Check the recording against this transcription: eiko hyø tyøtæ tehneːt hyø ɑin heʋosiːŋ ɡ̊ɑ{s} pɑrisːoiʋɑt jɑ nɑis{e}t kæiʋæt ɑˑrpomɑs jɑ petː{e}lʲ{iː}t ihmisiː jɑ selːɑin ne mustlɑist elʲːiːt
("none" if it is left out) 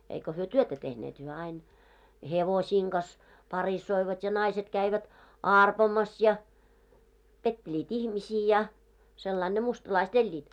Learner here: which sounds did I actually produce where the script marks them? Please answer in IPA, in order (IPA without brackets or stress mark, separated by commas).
s, e, e, iː